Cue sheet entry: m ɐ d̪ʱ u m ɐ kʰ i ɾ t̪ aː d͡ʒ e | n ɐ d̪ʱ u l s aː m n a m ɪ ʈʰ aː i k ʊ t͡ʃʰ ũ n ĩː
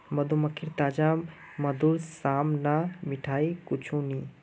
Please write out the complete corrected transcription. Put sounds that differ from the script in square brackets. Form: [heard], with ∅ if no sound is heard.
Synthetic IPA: m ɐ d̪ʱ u m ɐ kʰ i ɾ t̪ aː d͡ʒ [a] | [m] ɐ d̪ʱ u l s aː m n a m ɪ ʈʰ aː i k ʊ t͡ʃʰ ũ n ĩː